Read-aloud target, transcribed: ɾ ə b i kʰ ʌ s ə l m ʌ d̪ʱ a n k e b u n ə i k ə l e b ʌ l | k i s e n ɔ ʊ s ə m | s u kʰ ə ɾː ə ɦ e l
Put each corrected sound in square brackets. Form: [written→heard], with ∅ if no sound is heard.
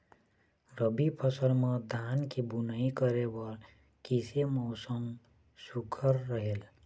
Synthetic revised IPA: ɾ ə b i [kʰ→pʰ] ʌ s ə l m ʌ d̪ʱ a n k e b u n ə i k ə [l→ɾ] e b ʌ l | k i s e [n→m] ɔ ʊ s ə m | s u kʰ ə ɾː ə ɦ e l